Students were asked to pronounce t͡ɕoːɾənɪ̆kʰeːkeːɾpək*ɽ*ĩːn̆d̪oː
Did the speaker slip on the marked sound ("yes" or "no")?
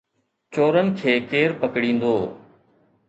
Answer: no